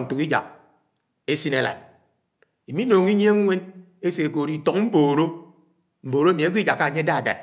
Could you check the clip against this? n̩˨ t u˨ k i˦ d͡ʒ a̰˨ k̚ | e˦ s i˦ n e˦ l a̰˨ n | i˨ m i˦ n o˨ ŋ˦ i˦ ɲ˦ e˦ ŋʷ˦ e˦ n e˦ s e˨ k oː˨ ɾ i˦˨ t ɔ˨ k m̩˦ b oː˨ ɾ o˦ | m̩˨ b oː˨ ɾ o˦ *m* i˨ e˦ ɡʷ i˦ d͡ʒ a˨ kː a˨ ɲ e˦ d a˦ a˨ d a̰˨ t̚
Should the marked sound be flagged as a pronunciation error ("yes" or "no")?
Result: no